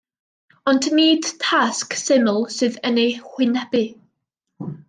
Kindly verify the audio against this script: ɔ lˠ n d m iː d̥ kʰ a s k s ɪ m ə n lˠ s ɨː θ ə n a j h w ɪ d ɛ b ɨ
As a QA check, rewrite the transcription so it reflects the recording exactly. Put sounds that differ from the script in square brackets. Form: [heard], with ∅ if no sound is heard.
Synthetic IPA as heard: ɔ [∅] n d [n] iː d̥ [tʰ] a s k s ɪ m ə [∅] lˠ s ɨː [ð] ə n [e] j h w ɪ [n] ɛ b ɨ